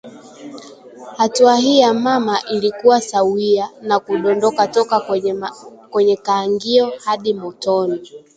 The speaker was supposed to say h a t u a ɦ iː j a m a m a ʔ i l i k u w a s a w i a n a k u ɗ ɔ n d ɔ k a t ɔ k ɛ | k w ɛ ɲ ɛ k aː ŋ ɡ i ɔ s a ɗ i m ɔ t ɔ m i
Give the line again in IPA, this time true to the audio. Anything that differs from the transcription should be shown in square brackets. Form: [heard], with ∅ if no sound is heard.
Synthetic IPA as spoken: h a t u a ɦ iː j a m a m a ʔ i l i k u w a s a w i a n a k u ɗ ɔ n d ɔ k a t ɔ k [a] | k w ɛ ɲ ɛ k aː ŋ ɡ i ɔ [h] a ɗ i m ɔ t ɔ [n] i